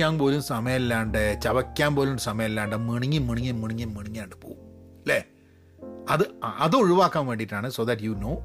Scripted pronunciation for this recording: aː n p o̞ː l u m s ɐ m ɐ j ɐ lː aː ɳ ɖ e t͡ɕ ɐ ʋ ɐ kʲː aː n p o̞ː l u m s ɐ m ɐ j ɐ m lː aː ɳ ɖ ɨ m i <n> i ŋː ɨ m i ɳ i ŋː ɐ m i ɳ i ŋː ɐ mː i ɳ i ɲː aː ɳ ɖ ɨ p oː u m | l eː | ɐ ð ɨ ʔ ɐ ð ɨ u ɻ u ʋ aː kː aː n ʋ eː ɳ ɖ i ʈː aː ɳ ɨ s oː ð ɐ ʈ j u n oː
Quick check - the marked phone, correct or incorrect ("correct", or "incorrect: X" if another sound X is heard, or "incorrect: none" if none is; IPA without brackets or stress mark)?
incorrect: ɳ